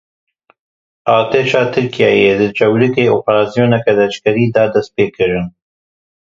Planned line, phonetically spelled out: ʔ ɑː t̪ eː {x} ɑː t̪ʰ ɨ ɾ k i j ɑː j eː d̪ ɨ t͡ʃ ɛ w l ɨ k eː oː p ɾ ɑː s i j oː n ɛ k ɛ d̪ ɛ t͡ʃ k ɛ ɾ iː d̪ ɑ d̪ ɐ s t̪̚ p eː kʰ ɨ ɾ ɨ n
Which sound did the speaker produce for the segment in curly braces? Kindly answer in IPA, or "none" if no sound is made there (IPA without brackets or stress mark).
ʃ